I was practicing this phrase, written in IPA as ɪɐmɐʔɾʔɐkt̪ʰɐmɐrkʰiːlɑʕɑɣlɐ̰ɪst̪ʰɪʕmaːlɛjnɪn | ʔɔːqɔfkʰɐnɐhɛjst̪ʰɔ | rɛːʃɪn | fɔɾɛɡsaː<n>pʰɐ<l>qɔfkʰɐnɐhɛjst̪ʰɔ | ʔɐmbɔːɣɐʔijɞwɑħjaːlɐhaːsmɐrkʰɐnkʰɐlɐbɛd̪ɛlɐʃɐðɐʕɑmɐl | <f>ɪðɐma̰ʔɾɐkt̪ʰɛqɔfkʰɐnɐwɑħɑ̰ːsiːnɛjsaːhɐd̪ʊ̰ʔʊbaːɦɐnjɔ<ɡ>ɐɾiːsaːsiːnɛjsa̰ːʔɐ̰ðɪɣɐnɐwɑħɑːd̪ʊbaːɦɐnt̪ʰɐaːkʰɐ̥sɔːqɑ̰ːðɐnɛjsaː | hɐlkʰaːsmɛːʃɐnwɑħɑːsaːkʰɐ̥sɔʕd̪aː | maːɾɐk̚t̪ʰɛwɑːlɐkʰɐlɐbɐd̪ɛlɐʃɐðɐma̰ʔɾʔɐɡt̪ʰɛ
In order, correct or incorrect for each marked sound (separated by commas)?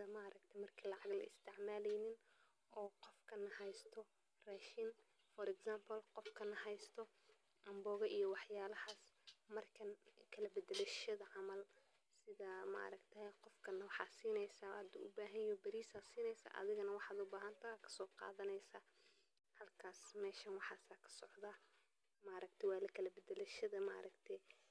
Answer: incorrect, correct, incorrect, incorrect